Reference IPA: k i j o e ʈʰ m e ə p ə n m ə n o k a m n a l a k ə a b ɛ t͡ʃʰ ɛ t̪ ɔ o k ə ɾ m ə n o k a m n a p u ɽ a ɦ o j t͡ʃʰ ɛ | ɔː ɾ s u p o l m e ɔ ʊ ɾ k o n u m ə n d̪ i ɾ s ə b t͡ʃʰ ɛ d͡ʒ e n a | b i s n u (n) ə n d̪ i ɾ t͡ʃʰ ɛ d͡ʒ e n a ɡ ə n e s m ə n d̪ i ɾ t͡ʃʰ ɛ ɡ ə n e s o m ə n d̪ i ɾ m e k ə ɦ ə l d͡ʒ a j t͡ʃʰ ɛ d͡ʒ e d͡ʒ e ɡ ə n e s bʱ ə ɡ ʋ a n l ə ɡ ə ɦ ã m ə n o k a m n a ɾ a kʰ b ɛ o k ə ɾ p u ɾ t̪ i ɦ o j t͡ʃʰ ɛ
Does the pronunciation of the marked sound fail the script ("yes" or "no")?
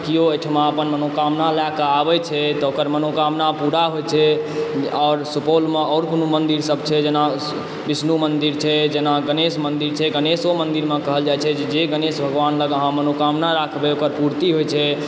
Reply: yes